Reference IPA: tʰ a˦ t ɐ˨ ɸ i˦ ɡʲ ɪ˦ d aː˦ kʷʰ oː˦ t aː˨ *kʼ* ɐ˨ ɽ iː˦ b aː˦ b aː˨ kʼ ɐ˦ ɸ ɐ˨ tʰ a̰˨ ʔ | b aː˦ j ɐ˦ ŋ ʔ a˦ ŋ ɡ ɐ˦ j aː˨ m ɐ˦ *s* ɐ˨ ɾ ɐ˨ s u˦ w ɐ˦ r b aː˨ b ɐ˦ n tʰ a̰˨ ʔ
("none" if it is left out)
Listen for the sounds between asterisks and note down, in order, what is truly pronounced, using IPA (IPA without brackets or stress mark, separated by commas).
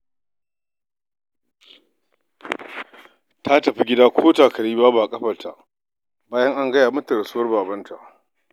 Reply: k, t